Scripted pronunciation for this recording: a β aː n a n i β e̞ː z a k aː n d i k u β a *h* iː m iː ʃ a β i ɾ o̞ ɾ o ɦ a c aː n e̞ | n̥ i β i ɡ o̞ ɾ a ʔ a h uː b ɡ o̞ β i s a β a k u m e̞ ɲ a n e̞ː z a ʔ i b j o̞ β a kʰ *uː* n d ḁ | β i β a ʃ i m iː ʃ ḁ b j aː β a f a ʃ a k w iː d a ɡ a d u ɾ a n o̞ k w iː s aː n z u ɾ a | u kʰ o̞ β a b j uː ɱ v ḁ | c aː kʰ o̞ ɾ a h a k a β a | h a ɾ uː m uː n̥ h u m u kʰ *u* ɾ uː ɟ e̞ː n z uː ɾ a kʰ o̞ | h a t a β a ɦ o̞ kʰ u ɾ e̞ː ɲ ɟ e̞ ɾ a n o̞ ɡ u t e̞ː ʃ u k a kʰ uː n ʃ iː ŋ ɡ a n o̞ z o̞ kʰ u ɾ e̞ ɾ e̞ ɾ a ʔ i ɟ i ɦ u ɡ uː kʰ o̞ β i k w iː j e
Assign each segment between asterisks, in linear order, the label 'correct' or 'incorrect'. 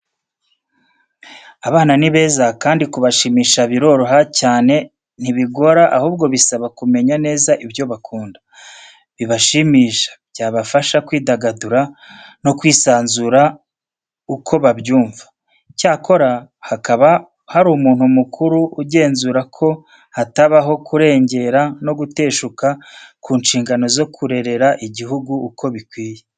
incorrect, correct, correct

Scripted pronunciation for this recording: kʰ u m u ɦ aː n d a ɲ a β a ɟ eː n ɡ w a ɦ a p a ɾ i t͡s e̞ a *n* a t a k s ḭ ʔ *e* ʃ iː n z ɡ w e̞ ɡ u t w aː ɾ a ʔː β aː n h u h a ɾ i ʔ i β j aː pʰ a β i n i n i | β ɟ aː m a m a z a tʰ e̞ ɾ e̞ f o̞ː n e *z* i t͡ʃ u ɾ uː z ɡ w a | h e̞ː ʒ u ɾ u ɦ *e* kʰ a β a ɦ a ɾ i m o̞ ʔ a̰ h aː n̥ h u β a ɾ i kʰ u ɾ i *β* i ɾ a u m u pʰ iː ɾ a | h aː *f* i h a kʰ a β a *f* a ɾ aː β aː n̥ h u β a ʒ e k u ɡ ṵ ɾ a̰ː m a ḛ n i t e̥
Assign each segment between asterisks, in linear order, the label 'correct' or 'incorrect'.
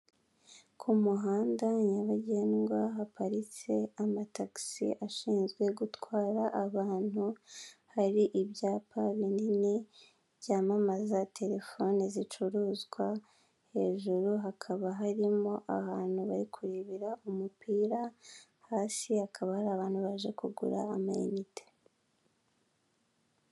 incorrect, incorrect, correct, incorrect, correct, incorrect, incorrect

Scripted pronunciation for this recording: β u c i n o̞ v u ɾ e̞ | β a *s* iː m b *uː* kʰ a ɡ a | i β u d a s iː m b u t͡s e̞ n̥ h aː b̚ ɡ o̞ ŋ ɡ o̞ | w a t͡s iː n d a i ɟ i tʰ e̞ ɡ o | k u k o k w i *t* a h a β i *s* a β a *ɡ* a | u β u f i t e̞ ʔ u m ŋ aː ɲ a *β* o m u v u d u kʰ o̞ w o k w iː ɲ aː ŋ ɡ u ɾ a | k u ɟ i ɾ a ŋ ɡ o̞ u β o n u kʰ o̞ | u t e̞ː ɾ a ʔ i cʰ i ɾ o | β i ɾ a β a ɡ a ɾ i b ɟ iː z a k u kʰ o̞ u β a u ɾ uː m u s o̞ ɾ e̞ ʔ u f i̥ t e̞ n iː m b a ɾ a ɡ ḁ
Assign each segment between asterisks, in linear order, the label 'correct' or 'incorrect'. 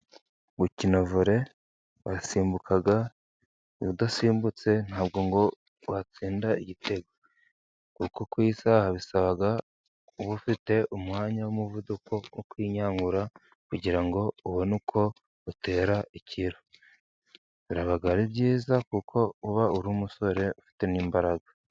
correct, incorrect, incorrect, correct, correct, incorrect

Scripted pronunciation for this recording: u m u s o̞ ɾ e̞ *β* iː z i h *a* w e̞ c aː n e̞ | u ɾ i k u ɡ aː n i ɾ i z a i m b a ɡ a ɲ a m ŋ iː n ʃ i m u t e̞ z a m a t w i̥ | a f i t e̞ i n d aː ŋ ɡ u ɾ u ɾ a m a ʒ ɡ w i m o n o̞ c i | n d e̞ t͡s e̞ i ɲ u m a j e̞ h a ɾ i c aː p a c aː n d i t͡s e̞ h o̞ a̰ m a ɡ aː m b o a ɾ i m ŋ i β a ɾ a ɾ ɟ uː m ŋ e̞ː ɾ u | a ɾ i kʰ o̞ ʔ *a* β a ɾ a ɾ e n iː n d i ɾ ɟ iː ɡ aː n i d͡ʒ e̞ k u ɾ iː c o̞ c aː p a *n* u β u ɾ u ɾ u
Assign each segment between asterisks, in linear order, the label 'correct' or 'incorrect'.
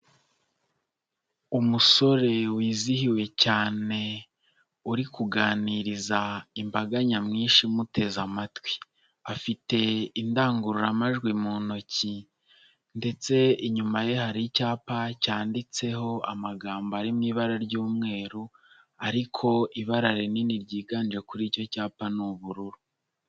incorrect, incorrect, incorrect, correct

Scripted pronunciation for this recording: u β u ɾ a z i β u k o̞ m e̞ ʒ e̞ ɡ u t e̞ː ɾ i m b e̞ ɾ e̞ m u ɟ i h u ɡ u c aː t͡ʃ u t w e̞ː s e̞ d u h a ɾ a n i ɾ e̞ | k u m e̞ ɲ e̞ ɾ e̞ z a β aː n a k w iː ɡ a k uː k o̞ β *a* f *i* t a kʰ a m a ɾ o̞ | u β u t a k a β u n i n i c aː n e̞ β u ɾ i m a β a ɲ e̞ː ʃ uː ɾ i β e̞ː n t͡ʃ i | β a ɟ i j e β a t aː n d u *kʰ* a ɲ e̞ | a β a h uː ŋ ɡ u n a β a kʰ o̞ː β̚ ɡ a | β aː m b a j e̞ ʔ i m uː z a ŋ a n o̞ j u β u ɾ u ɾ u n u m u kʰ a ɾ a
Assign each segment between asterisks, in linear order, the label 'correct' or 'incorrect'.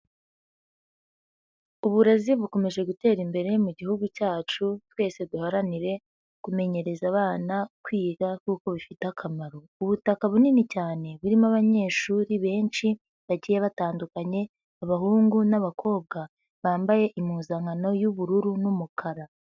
incorrect, correct, incorrect

